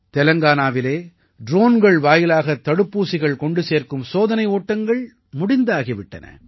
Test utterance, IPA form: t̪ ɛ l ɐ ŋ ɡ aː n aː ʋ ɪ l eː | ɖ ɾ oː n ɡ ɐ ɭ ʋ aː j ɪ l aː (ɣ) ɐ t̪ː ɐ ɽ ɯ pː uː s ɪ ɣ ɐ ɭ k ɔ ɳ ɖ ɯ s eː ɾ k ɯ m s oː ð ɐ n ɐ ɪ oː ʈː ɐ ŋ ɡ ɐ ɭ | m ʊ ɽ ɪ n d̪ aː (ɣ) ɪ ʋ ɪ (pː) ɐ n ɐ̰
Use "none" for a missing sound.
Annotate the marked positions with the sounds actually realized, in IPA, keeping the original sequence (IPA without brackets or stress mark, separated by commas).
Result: ɣ, ɣ, ʈː